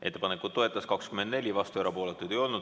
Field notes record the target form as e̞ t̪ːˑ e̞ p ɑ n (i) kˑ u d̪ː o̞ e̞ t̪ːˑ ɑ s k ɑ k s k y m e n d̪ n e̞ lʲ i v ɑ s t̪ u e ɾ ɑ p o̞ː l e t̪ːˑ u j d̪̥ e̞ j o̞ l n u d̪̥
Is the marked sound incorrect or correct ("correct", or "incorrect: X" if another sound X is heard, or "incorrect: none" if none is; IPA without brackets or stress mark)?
incorrect: e